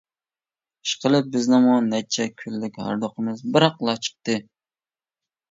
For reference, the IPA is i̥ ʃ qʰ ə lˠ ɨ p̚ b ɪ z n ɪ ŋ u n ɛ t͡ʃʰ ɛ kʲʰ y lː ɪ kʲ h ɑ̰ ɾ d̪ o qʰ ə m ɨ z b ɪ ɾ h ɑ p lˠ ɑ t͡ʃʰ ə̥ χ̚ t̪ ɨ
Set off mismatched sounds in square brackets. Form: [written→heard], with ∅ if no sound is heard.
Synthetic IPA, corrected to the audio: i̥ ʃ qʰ ə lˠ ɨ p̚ b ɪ z n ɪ [ŋ→m] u n ɛ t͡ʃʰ ɛ kʲʰ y lː ɪ kʲ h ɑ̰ ɾ d̪ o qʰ ə m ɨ z b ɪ ɾ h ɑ [p→q] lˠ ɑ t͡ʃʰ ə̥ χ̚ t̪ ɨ